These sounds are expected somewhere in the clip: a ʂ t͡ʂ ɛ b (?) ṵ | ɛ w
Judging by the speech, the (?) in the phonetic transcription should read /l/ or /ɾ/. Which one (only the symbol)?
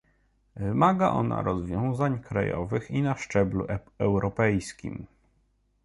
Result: l